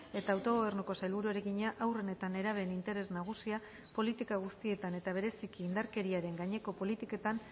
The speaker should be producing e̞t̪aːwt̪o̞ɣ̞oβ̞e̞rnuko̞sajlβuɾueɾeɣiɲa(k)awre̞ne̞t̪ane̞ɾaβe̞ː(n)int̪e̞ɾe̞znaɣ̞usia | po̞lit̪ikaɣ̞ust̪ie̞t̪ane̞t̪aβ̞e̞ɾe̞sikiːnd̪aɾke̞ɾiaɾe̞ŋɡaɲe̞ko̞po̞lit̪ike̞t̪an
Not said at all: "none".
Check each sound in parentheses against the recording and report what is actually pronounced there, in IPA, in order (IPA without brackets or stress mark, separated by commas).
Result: ʔ, n